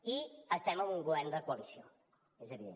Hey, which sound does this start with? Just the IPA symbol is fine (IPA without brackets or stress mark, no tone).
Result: i